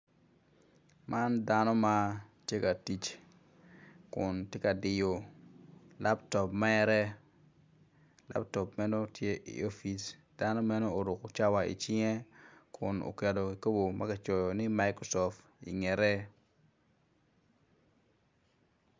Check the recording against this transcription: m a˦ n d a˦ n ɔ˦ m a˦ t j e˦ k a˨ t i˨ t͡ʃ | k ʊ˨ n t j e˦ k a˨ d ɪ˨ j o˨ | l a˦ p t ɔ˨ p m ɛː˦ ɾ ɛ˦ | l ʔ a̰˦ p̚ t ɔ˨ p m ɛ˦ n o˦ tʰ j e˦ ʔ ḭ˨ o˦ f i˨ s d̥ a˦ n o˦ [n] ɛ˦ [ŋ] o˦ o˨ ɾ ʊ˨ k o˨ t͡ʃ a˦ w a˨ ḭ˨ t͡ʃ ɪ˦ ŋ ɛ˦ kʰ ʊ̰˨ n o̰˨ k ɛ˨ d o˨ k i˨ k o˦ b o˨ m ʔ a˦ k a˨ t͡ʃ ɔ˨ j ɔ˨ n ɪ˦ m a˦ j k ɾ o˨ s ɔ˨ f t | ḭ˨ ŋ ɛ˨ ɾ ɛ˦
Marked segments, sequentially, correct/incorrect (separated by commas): incorrect, incorrect